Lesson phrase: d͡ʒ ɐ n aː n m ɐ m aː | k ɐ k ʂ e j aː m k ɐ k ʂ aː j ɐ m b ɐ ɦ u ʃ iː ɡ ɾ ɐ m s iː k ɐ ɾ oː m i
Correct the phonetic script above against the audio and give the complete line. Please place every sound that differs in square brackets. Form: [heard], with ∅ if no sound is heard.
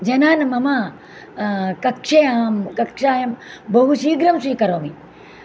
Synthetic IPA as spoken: d͡ʒ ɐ n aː n m ɐ m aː | k ɐ k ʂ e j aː m k ɐ k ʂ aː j ɐ m b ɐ ɦ u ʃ iː ɡ ɾ ɐ m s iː k ɐ ɾ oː m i